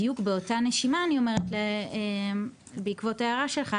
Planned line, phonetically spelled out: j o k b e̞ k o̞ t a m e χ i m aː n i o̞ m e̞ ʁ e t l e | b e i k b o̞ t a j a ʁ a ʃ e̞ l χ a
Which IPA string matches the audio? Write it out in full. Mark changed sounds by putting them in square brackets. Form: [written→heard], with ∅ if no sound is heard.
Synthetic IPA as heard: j [o→u] k b e̞ [k→∅] o̞ t a [m→n] e [χ→ʃ] i m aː n i o̞ m e̞ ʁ e t l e | b e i k [b→v] o̞ t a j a ʁ a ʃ e̞ l χ a